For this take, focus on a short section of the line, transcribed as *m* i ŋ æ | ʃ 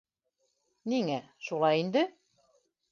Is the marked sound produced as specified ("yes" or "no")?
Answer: no